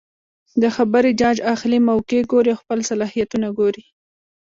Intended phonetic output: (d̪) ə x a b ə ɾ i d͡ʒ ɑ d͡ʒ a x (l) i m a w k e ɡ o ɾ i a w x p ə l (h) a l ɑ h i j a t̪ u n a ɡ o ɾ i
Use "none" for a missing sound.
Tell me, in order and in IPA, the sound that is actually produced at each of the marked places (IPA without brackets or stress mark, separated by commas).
d̪, l, s